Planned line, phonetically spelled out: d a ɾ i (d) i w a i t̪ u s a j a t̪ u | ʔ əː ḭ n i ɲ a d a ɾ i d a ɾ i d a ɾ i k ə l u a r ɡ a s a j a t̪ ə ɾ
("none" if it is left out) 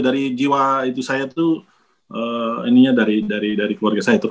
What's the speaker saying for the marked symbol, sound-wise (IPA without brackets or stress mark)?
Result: d͡ʒ